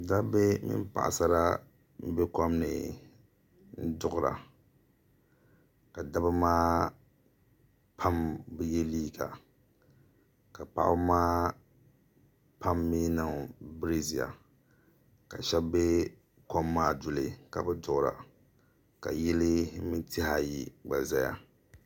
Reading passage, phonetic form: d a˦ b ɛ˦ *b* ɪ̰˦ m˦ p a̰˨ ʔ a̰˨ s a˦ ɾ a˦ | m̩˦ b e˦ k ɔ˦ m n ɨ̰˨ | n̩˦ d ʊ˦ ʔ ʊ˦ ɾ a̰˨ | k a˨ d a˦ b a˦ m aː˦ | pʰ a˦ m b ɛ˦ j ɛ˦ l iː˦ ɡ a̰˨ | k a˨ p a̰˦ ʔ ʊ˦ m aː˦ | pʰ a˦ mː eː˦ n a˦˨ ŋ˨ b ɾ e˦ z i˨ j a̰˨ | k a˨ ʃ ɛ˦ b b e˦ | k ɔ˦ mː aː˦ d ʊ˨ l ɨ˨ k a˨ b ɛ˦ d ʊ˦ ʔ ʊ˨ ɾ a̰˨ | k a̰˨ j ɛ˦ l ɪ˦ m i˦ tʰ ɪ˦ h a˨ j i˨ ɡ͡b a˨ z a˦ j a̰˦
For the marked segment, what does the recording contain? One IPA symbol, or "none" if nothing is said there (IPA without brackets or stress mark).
m